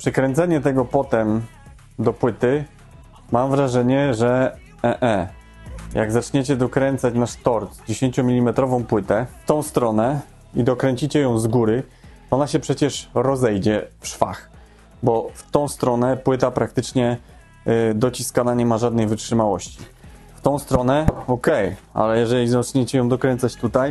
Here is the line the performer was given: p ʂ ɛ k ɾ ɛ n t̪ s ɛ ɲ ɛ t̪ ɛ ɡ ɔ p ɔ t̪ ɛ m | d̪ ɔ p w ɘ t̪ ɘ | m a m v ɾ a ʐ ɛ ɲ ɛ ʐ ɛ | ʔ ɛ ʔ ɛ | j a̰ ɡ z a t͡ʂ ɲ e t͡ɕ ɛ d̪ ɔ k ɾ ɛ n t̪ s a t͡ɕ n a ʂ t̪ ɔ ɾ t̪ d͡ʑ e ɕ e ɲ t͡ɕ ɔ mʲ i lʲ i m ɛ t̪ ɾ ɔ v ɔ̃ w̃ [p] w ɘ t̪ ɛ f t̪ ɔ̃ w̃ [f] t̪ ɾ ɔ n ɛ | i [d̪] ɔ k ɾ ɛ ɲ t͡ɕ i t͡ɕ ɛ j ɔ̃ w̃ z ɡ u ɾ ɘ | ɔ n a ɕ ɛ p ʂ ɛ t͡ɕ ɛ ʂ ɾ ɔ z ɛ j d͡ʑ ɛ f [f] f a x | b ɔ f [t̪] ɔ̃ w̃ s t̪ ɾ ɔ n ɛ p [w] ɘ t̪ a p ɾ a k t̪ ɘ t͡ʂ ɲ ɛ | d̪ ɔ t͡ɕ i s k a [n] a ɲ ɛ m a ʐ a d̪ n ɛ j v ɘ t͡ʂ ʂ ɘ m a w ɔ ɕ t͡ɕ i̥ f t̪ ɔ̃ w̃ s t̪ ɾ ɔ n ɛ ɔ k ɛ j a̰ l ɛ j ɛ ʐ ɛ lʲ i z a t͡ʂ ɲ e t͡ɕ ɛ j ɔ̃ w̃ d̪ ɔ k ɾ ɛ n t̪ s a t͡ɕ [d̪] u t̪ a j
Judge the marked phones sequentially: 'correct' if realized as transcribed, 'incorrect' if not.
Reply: correct, incorrect: s, correct, incorrect: ʂ, correct, correct, correct, incorrect: t̪

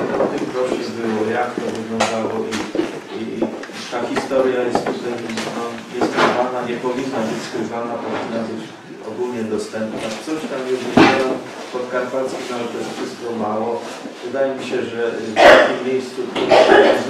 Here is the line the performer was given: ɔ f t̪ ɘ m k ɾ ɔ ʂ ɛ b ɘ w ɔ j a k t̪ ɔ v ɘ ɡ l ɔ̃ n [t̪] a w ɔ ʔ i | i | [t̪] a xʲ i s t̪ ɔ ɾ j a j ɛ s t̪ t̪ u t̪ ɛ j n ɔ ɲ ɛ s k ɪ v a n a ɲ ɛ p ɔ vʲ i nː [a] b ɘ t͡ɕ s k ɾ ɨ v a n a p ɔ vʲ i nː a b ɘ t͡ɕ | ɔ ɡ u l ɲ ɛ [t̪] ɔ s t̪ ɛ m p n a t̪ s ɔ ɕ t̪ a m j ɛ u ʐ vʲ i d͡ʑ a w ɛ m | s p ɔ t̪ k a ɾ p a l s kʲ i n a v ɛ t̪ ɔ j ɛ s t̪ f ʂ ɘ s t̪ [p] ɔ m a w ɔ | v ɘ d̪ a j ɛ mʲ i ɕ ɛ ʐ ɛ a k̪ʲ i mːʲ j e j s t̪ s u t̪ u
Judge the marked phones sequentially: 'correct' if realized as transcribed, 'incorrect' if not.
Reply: incorrect: d̪, correct, correct, incorrect: d̪, incorrect: k

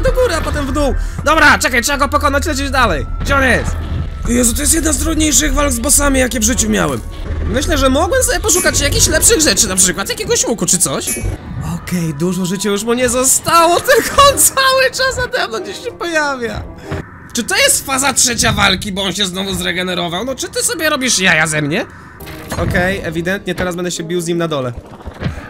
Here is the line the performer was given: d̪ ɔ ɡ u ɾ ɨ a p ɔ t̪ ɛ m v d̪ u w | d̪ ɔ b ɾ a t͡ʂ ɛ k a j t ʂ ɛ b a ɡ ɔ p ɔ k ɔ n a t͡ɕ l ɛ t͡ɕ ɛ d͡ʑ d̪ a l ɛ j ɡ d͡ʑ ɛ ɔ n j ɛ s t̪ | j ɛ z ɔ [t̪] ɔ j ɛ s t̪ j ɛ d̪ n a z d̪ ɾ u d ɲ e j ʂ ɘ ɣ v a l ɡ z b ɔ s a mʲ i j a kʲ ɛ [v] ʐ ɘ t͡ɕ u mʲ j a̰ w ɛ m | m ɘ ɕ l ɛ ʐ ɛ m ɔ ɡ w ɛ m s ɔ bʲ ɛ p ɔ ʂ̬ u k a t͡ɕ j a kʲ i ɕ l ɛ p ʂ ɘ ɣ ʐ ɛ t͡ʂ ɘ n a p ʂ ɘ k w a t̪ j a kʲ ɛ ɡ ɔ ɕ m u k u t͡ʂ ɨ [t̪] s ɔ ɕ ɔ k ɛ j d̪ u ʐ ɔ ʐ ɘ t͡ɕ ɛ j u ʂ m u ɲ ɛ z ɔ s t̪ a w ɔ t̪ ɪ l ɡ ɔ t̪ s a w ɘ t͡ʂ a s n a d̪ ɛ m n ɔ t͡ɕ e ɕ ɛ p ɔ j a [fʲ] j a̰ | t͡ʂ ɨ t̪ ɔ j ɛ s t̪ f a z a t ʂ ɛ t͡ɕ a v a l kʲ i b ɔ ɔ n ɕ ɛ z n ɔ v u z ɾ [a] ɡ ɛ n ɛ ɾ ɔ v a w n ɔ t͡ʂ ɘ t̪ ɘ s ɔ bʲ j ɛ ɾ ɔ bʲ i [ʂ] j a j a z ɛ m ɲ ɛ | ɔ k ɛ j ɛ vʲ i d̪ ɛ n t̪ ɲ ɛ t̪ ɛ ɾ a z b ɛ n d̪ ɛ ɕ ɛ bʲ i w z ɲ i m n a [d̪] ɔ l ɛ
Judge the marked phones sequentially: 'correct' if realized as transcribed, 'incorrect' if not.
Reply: correct, correct, correct, incorrect: vʲ, incorrect: ɛ, correct, correct

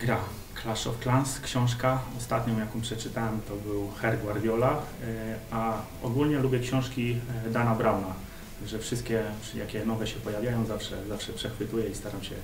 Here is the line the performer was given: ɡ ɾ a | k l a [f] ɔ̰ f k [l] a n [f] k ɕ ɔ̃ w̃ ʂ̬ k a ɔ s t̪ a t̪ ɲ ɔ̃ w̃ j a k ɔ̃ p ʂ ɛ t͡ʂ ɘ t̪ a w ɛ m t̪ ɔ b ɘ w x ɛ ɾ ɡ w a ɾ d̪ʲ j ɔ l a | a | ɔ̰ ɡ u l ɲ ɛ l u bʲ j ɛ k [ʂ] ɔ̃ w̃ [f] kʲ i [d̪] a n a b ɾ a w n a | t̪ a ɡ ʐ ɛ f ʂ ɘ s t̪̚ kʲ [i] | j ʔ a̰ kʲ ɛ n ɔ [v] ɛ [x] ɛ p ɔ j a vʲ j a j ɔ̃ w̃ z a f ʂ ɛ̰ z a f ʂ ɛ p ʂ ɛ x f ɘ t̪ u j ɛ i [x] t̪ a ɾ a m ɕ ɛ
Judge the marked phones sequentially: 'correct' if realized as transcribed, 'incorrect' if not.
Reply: incorrect: ʂ, correct, incorrect: s, incorrect: ɕ, incorrect: ʂ, correct, incorrect: ɛ, correct, incorrect: ɕ, incorrect: s

